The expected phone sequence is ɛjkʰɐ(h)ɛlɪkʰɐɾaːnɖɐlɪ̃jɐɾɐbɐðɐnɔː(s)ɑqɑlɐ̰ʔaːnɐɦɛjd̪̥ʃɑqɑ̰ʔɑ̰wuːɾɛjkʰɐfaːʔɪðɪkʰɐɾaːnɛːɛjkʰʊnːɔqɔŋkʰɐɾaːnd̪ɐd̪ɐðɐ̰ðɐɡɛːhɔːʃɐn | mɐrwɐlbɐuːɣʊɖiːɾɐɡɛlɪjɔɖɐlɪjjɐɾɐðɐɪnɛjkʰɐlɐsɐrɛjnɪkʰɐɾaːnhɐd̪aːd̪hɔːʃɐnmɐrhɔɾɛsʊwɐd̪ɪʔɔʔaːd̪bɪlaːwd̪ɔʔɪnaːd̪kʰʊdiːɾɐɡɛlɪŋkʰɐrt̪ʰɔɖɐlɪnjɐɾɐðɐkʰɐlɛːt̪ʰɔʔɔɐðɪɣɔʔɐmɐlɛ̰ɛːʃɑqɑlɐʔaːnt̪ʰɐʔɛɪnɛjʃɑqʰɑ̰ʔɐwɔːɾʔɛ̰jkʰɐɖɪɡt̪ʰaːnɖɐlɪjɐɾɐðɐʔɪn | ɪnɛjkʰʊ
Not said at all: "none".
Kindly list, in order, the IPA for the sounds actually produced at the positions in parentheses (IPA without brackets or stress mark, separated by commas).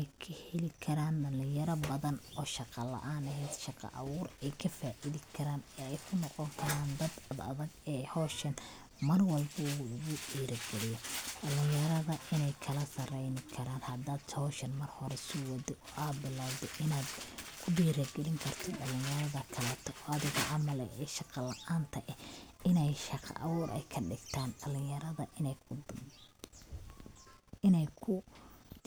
h, ʃ